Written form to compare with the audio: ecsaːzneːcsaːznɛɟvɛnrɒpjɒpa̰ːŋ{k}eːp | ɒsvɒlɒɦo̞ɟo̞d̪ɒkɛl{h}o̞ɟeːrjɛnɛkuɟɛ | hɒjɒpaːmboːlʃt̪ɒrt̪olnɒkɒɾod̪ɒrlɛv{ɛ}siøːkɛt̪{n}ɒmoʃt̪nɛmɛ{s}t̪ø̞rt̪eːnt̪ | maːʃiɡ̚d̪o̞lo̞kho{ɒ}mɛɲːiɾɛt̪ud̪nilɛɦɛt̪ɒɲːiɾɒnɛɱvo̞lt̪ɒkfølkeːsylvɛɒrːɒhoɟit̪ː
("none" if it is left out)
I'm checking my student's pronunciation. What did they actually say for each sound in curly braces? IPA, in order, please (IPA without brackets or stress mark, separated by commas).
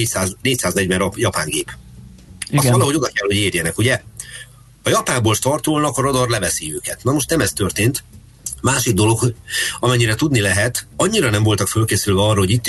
ɡ, h, ɛ, n, s, ɒ